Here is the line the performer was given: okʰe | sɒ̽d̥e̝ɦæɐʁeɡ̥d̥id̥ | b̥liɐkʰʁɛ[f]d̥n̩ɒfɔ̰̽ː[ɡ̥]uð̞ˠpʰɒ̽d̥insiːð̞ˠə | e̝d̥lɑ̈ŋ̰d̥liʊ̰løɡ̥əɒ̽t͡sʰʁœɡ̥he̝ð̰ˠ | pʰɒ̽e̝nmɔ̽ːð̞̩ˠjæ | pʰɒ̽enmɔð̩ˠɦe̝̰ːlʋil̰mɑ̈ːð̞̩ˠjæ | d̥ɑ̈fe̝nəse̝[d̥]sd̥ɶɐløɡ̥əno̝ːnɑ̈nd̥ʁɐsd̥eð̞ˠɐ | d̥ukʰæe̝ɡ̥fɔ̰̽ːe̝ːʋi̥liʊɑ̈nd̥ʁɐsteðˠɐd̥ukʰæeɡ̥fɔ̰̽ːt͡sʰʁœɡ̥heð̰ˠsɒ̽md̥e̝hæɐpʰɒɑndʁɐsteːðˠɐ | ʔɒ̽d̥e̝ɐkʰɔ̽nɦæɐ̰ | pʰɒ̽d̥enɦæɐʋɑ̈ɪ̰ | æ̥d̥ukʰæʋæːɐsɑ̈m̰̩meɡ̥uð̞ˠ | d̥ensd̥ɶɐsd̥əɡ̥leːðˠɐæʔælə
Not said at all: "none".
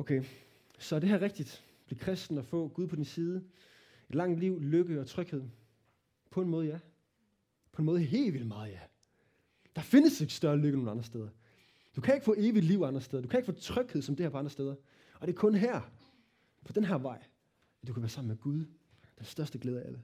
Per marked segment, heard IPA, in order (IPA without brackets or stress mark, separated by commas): s, ɡ̥, ɡ̥